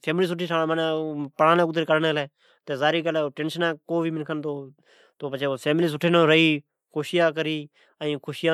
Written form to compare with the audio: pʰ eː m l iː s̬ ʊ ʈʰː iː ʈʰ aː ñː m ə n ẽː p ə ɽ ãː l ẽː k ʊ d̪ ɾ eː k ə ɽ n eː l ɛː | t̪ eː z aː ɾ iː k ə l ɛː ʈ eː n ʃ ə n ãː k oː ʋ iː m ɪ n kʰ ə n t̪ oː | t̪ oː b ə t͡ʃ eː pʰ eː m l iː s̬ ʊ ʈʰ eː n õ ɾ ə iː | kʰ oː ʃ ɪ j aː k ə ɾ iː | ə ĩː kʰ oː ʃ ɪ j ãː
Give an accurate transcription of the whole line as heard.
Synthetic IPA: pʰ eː m l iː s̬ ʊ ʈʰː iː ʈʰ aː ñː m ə n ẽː p ə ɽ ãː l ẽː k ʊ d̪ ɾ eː k ə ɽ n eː l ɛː | t̪ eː z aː ɾ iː k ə l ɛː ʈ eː n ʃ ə n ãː k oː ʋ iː m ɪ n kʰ ə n t̪ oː | t̪ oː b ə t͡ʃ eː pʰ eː m l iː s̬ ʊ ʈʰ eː n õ ɾ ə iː | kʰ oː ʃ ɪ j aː k ə ɾ iː | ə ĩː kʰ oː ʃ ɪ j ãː